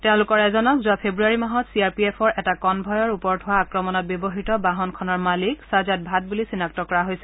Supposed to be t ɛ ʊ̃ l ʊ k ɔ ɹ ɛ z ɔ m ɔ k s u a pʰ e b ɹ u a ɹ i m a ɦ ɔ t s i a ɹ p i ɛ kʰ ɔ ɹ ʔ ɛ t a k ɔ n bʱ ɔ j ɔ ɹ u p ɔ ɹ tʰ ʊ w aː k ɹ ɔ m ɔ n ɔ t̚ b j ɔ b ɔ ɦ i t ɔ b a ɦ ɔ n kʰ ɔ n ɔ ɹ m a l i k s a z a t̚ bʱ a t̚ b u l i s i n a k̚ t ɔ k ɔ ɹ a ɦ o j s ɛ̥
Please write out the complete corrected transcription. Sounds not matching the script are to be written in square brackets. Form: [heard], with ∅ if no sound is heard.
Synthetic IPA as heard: t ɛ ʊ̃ l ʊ k ɔ ɹ ɛ z ɔ [n] ɔ k [z] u a pʰ e b ɹ u a ɹ i m a ɦ ɔ t s i a ɹ p i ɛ [pʰ] ɔ ɹ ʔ ɛ t a k ɔ n bʱ ɔ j ɔ ɹ u p ɔ ɹ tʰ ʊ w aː k ɹ ɔ m ɔ n ɔ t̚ b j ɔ b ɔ ɦ i t ɔ b a ɦ ɔ n kʰ ɔ n ɔ ɹ m a l i k s a z a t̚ bʱ a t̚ b u l i s i n a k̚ t ɔ k ɔ ɹ a ɦ o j s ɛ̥